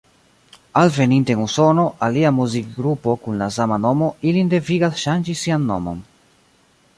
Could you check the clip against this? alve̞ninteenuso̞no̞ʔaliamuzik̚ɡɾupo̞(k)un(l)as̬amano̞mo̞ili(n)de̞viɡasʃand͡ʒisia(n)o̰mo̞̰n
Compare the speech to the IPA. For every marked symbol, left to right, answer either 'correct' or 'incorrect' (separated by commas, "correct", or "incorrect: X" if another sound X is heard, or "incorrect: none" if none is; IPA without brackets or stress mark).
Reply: correct, correct, correct, incorrect: nː